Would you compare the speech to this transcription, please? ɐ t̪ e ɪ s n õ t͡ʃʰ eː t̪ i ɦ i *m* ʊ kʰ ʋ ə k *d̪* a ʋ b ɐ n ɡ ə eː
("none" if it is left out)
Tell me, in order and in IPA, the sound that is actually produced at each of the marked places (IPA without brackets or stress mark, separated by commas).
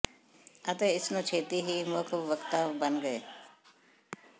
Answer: m, t̪